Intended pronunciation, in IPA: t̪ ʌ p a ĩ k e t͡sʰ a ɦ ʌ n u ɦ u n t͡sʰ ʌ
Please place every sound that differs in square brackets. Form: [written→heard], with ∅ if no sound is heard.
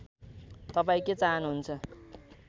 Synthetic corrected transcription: t̪ ʌ p a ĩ k e [t͡sʰ→t͡s] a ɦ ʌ n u ɦ u n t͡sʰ ʌ